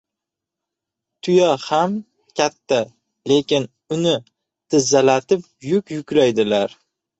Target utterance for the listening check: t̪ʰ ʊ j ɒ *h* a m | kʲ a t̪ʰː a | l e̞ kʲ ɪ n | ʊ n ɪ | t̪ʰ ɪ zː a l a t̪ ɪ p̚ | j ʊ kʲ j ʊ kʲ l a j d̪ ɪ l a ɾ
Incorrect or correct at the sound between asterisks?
correct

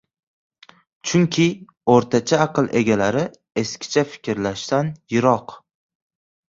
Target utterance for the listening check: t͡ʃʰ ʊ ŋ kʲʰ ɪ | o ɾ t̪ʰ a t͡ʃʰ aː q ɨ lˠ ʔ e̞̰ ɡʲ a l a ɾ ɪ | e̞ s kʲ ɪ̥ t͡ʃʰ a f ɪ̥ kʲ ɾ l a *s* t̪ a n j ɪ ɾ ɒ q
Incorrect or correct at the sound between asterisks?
incorrect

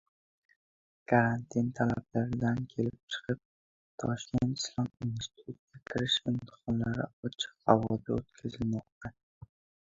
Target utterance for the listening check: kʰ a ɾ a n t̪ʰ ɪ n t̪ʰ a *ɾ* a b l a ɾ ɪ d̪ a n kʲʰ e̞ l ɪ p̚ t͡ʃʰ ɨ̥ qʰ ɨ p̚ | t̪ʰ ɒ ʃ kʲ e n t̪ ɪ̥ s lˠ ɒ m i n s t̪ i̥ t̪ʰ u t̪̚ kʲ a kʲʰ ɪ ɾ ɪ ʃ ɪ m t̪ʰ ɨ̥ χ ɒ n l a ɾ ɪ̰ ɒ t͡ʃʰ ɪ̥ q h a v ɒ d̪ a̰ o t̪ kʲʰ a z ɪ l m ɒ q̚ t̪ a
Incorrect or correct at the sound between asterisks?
incorrect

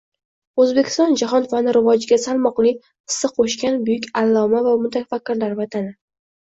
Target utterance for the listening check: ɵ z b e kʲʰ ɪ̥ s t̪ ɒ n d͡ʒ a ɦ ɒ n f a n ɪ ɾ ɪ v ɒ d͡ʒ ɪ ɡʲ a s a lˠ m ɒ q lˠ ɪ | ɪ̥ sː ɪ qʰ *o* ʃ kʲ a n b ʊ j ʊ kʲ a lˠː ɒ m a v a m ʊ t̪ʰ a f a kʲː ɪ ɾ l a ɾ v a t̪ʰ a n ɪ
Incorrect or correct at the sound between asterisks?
correct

